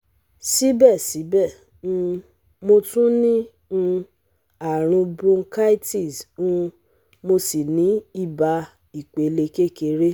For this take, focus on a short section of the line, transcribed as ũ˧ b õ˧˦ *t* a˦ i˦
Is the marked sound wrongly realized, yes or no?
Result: yes